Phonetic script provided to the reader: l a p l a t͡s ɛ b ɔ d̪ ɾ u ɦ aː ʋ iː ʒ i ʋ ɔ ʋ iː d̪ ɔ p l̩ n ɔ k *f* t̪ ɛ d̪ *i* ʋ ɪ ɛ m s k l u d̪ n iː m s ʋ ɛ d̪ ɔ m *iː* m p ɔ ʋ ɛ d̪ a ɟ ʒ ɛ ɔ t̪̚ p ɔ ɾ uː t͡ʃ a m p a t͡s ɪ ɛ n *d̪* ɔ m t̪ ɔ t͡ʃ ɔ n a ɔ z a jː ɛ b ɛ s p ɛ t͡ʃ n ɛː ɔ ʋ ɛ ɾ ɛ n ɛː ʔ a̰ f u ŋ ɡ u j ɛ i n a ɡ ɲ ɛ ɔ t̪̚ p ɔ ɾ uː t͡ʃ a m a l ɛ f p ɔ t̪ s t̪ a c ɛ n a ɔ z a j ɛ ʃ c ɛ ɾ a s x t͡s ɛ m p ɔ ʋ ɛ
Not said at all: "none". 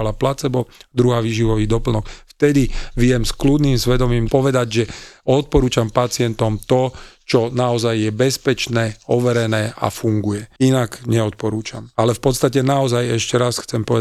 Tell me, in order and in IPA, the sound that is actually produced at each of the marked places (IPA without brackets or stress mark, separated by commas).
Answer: f, i, iː, t̪